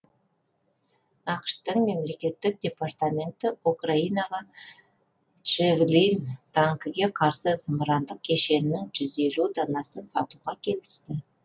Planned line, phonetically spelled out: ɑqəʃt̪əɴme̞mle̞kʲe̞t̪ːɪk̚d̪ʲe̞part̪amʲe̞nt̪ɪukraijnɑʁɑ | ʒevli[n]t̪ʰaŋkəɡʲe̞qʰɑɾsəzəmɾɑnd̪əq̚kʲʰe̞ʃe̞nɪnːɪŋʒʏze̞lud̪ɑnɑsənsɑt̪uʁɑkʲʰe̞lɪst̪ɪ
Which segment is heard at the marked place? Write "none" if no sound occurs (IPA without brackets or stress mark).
n